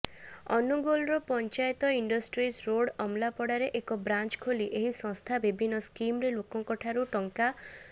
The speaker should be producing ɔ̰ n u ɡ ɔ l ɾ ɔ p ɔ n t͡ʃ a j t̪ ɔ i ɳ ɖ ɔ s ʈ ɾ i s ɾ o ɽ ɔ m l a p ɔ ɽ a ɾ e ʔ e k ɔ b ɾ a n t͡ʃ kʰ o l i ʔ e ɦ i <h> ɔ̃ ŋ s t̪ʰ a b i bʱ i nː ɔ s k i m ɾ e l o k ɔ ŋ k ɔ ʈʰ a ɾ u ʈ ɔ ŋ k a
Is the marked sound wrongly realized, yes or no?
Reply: yes